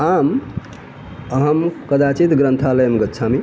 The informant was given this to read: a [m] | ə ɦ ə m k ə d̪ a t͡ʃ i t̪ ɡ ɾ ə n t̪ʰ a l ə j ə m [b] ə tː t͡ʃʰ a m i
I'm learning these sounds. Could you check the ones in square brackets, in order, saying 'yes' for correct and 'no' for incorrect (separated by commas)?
yes, no